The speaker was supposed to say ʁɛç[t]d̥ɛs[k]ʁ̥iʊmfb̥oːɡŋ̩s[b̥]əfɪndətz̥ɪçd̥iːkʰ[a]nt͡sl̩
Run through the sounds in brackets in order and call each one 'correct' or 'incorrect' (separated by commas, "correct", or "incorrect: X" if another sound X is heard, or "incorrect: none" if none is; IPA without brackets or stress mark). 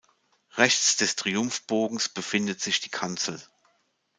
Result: incorrect: t͡s, incorrect: t, correct, correct